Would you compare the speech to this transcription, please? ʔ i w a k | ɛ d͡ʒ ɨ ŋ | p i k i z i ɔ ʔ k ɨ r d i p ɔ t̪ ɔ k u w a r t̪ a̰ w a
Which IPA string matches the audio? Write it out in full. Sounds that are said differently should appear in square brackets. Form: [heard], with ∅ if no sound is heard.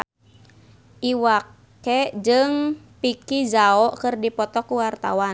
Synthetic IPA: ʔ i w a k | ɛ d͡ʒ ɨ ŋ | p i k i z [a] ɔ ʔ k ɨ r d i p ɔ t̪ ɔ k u w a r t̪ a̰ w a